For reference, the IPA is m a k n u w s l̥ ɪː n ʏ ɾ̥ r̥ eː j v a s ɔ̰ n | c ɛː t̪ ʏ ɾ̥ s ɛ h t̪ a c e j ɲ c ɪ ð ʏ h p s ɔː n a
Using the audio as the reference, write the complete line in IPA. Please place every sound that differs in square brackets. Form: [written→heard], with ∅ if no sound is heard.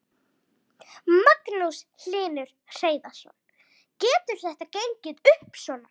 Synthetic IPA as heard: m a k n u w s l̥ ɪː n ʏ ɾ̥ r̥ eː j [v→ð] a s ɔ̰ n | c ɛː t̪ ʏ ɾ̥ [s→θ] ɛ h t̪ a c e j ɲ c ɪ ð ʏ h p s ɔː n a